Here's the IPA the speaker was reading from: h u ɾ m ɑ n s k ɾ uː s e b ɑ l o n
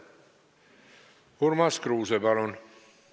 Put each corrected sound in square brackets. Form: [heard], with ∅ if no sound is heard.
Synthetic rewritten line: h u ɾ m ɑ [∅] s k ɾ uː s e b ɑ l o n

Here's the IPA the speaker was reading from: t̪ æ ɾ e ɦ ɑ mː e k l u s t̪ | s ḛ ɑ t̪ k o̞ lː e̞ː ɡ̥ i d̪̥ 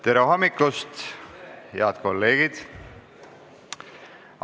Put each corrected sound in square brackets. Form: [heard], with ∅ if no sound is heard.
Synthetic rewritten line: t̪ [e] ɾ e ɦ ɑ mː [i] k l u s t̪ | [h] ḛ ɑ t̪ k o̞ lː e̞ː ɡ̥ i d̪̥

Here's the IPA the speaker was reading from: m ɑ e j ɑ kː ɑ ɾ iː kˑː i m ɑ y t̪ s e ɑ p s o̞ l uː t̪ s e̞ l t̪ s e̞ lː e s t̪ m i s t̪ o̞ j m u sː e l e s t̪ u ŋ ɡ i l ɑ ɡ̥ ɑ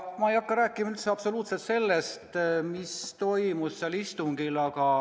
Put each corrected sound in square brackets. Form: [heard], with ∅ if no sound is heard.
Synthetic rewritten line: m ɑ e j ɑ kː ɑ ɾ [æː] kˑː i m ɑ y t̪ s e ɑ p s o̞ l uː t̪ s e̞ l t̪ s e̞ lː e s t̪ m i s t̪ o̞ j m u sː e l [i] s t̪ u ŋ ɡ i l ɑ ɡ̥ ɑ

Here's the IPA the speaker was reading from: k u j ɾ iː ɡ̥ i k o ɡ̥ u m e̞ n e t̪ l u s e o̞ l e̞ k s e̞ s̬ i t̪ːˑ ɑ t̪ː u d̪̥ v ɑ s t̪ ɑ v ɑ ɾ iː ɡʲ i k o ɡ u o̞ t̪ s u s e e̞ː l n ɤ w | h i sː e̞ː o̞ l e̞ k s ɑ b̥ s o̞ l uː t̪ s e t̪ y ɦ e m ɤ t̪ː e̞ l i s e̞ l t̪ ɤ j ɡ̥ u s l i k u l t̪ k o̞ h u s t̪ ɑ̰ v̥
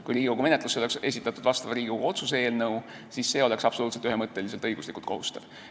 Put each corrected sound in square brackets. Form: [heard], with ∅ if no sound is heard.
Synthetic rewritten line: k u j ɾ iː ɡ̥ i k o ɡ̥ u m e̞ n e t̪ l u s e o̞ l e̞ k s e̞ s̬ i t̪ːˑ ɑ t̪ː u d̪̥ v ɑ s t̪ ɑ v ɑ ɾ iː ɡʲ i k o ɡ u o̞ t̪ s u s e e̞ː l n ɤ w | [s] i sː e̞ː o̞ l e̞ k s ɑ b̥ s o̞ l uː t̪ s e t̪ y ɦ e m ɤ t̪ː e̞ l i s e̞ l t̪ ɤ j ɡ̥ u s l i k u l t̪ k o̞ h u s t̪ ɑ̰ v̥

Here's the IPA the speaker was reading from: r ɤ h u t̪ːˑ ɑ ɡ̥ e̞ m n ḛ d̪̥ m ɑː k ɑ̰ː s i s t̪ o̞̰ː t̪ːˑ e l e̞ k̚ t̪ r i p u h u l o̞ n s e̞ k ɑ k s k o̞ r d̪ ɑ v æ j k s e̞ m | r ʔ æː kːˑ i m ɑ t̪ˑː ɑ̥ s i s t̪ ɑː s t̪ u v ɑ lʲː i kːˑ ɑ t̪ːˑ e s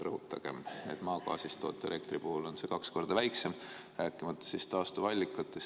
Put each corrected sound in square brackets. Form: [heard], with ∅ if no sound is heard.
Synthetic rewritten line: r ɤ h u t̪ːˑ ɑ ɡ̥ e̞ m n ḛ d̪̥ m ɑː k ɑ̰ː s i s t̪ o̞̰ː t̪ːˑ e l e̞ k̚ t̪ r i p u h u l o̞ n s e̞ k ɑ k s k o̞ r d̪ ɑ v æ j k s e̞ m | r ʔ æː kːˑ i m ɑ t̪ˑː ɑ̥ s i s t̪ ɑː s t̪ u v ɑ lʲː i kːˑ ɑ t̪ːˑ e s

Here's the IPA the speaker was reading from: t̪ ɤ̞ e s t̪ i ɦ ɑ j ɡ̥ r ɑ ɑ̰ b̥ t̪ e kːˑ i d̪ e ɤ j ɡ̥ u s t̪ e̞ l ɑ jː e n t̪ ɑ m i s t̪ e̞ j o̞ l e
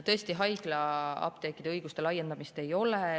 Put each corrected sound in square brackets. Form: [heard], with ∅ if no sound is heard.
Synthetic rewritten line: t̪ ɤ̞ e s t̪ i ɦ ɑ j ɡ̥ [l] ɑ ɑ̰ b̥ t̪ e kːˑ i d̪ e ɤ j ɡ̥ u s t̪ e̞ l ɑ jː e n [d̪] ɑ m i s t̪ e̞ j o̞ l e

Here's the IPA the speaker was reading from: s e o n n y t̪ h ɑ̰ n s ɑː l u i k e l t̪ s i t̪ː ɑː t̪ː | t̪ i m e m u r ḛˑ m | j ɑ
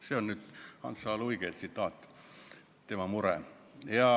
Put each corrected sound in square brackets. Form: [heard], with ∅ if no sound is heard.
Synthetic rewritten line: s e o n n y t̪ h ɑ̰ n s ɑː l u i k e l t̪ s i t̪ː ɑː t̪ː | t̪ [e] m [æ] m u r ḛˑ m | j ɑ

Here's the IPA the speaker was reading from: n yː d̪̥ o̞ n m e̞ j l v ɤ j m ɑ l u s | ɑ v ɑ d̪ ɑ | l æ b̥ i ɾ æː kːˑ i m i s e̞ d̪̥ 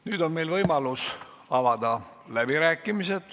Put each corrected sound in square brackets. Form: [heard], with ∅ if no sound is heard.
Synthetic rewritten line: n yː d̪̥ o̞ n m e̞ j l v ɤ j m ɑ l u s | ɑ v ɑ d̪ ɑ | l æ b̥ i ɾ æː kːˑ i m i s e̞ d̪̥

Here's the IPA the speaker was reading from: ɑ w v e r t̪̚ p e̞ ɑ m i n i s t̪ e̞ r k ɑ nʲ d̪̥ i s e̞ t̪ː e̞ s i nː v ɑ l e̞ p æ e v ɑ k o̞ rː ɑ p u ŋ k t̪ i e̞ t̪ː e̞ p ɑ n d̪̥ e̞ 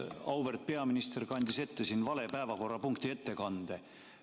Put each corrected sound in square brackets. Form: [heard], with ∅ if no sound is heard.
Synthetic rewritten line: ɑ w v e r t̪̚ p e̞ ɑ m i n i s t̪ e̞ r k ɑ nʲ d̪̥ i s e̞ t̪ː e̞ s i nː v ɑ l e̞ p æ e v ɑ k o̞ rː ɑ p u ŋ k t̪ i e̞ t̪ː e̞ [k] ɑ n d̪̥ e̞

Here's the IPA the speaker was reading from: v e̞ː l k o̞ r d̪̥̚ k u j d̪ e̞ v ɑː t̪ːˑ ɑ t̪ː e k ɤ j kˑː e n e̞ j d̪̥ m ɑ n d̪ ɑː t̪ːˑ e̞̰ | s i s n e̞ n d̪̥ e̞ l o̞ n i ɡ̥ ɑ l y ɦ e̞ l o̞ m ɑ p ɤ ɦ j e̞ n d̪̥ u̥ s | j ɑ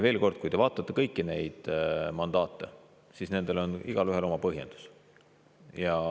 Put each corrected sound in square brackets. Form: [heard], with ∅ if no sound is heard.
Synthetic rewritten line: v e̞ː l k o̞ r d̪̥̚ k u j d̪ e̞ v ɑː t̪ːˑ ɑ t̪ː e k ɤ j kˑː [i] n e̞ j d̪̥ m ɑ n d̪ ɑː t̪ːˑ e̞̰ | s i s n e̞ n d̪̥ e̞ l o̞ n i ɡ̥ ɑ l y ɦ e̞ l o̞ m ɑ p ɤ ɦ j e̞ n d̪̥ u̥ s | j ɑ

